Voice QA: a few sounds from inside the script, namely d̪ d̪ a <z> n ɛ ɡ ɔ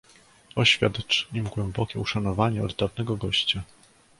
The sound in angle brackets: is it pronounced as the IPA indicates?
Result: no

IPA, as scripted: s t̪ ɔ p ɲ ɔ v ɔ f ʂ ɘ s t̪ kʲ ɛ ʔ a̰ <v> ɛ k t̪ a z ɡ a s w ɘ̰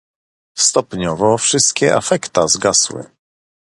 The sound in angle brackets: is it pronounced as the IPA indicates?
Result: no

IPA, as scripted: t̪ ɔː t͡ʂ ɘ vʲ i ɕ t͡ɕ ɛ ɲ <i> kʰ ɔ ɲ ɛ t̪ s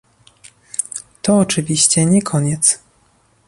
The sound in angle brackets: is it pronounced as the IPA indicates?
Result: no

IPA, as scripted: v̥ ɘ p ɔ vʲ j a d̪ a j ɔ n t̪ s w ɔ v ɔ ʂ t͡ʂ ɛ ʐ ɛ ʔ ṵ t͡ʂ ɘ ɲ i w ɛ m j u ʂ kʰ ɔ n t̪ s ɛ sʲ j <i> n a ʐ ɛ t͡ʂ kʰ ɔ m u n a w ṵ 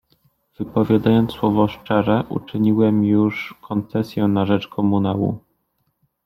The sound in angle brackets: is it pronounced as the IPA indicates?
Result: no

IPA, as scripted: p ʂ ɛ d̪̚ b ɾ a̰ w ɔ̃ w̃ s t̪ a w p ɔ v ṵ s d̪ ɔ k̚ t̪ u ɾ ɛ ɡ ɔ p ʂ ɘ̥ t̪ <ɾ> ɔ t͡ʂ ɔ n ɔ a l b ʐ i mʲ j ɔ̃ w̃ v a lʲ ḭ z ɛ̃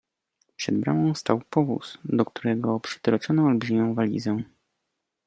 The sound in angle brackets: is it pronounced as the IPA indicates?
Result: yes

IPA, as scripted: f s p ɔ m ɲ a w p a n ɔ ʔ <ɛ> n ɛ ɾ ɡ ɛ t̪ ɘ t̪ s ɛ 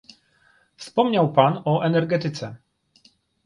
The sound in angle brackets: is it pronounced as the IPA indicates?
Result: yes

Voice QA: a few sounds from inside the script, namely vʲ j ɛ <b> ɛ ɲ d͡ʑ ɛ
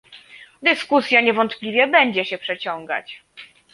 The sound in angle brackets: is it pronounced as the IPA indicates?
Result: yes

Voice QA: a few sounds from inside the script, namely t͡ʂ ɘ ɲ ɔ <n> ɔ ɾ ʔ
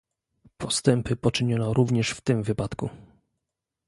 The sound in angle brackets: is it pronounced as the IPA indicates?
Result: yes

